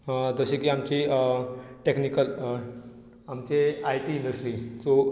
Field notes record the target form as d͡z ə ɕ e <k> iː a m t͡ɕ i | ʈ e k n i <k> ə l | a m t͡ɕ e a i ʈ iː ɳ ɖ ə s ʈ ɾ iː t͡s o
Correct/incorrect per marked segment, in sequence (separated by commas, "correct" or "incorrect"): correct, correct